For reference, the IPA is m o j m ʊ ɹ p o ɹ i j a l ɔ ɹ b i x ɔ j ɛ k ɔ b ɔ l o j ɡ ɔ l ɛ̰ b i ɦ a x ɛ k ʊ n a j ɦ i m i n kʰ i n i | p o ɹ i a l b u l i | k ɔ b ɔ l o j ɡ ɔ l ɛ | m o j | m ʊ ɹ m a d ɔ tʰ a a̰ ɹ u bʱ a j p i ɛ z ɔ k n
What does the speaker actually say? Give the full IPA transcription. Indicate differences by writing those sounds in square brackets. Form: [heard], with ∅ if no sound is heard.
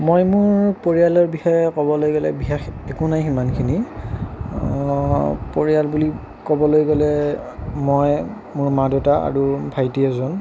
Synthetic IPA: m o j m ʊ ɹ p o ɹ i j a l ɔ ɹ b i x ɔ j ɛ k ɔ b ɔ l o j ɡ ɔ l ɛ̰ b i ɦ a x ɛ k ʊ n a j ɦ i m [a] n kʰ i n i | p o ɹ i a l b u l i | k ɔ b ɔ l o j ɡ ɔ l ɛ | m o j | m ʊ ɹ m a d ɔ [t] a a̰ ɹ u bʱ a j [t] i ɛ z ɔ [∅] n

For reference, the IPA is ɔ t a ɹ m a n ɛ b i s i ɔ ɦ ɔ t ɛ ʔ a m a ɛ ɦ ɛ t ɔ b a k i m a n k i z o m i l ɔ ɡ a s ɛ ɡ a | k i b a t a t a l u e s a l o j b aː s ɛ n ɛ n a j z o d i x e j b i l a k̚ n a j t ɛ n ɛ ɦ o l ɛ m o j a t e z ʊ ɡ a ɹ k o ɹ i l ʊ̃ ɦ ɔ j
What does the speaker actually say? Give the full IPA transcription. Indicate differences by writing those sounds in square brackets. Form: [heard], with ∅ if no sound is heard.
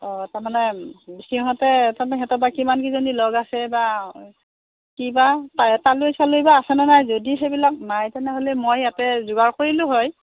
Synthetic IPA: ɔ t a ɹ m a n ɛ b i s i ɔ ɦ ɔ t ɛ [t] a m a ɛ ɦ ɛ t ɔ b a k i m a n k i z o [n] i l ɔ ɡ a s ɛ [b] a | k i b a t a t a l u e s a l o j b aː s ɛ n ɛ n a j z o d i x e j b i l a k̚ n a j t ɛ n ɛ ɦ o l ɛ m o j a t [ɛ] z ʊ ɡ a ɹ k o ɹ i l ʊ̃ ɦ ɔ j

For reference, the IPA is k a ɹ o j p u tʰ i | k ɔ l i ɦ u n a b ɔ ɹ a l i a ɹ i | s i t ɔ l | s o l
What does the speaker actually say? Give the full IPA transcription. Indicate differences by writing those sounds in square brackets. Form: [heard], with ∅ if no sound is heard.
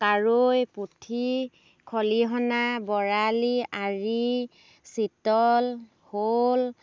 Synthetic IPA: k a ɹ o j p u tʰ i | [kʰ] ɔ l i ɦ [ɔ] n a b ɔ ɹ a l i a ɹ i | s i t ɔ l | [h] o l

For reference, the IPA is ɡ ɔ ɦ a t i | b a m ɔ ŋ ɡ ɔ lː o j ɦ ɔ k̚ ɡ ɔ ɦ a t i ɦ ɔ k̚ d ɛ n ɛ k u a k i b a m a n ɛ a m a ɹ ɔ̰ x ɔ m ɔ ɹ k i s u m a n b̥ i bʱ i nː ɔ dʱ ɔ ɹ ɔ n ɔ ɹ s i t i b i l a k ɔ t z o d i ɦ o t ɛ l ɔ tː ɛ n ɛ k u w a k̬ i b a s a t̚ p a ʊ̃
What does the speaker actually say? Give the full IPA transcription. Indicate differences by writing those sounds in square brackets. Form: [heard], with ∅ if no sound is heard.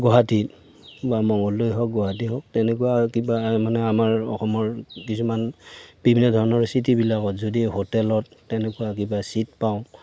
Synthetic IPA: ɡ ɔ ɦ a t i | b a m ɔ ŋ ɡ ɔ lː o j ɦ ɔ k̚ ɡ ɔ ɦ a t i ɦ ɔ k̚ [t] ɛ n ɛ k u a k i b a m a n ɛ a m a ɹ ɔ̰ x ɔ m ɔ ɹ k i s u m a n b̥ i bʱ i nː ɔ dʱ ɔ ɹ ɔ n ɔ ɹ s i t i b i l a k ɔ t z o d i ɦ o t ɛ l ɔ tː ɛ n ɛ k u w a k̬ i b a s [i] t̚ p a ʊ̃

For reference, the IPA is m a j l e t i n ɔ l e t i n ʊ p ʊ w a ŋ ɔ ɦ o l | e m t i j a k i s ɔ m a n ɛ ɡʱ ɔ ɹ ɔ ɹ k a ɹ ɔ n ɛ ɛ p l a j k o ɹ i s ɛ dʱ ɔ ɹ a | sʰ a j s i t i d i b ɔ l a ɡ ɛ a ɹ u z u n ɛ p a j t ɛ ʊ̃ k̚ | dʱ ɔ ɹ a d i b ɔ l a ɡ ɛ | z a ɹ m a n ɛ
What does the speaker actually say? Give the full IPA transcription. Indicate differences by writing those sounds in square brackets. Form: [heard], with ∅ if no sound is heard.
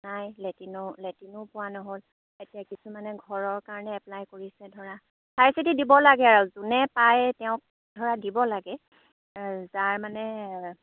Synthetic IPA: [n] a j l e t i n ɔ l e t i n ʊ p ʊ w a [n] ɔ ɦ o l | e [∅] t i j a k i s [u] m a n ɛ ɡʱ ɔ ɹ ɔ ɹ k a ɹ ɔ n ɛ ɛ p l a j k o ɹ i s ɛ dʱ ɔ ɹ a | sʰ a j s i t i d i b ɔ l a ɡ ɛ a ɹ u z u n ɛ p a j t ɛ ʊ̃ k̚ | dʱ ɔ ɹ a d i b ɔ l a ɡ ɛ | z a ɹ m a n ɛ

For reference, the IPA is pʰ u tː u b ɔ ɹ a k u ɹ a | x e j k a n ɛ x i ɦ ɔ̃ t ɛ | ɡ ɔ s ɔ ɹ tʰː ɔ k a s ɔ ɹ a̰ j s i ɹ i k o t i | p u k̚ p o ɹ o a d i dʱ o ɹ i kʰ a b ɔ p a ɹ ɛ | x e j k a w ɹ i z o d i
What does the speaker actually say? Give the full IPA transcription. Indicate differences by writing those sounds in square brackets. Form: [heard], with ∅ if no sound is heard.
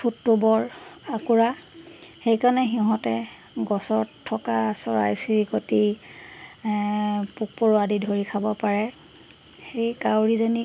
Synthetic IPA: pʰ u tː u b ɔ ɹ a k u ɹ a | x e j k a n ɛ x i ɦ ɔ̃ t ɛ | ɡ ɔ s ɔ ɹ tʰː ɔ k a s ɔ ɹ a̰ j s i ɹ i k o t i | p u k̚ p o ɹ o a d i dʱ o ɹ i kʰ a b ɔ p a ɹ ɛ | x e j k a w ɹ i z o [n] i

